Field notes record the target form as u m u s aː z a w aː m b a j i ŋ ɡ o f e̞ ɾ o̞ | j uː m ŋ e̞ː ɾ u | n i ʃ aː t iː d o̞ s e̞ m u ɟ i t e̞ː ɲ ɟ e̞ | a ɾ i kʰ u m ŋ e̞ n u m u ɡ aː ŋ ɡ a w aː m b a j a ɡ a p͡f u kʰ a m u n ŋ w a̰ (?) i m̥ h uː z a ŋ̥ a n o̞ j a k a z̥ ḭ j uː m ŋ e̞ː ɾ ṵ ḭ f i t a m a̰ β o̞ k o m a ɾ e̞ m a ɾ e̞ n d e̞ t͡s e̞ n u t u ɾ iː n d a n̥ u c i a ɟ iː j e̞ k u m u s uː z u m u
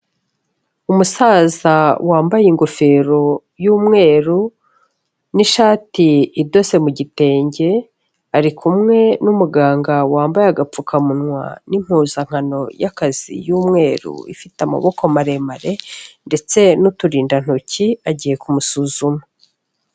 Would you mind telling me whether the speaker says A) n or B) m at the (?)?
A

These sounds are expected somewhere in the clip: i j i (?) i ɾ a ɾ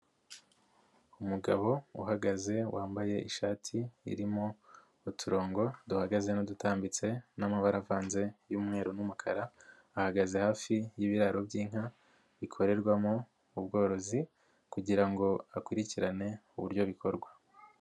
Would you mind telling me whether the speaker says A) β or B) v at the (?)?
A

